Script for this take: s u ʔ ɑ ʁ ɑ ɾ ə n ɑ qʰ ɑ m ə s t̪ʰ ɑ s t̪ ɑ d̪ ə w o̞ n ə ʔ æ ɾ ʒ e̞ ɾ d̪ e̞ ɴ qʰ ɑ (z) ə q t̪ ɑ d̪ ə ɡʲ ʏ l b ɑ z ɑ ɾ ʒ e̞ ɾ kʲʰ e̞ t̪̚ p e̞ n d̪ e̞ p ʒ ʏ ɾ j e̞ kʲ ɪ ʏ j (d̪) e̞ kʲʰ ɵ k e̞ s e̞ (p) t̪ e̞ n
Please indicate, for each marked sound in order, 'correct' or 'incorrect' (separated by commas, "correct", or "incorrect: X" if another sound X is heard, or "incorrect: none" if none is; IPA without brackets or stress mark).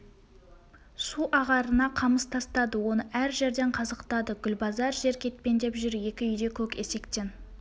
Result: correct, correct, incorrect: k